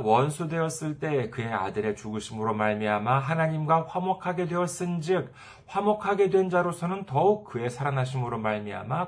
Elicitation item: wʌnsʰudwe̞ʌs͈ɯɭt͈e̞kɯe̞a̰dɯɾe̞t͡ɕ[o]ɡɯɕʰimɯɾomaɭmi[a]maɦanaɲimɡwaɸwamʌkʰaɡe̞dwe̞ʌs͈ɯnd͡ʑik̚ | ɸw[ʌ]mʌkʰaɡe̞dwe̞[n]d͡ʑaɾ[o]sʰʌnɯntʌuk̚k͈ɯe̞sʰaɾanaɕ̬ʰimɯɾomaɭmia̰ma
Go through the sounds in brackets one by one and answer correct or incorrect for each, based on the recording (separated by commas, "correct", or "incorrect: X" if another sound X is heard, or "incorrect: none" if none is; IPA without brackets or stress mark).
incorrect: u, correct, incorrect: a, correct, correct